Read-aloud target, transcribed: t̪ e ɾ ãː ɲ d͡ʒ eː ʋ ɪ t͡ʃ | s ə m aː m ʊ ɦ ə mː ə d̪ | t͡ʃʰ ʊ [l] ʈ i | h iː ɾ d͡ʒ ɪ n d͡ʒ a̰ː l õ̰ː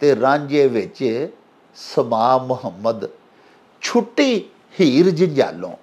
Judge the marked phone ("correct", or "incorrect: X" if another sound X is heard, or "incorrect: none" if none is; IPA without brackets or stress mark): incorrect: none